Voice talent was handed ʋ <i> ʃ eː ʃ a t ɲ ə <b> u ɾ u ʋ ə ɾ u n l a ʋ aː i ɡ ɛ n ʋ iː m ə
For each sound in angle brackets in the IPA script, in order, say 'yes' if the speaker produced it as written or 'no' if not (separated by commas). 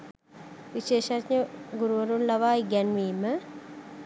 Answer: yes, no